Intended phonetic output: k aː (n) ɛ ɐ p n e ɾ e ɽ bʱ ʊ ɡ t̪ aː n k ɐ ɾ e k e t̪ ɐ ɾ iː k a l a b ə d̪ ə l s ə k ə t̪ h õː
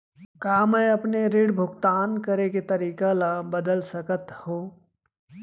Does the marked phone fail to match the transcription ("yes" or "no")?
yes